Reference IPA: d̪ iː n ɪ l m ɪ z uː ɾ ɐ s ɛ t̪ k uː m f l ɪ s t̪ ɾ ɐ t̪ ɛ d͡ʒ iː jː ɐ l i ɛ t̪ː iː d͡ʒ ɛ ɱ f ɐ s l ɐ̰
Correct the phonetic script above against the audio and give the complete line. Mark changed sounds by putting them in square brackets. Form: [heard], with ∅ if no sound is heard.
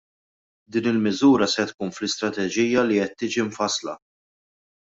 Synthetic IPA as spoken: d̪ iː n ɪ l m ɪ z uː ɾ ɐ s ɛ t̪ k uː [n] f l ɪ s t̪ ɾ ɐ t̪ ɛ d͡ʒ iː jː ɐ l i ɛ t̪ː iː d͡ʒ [i] ɱ f ɐ s l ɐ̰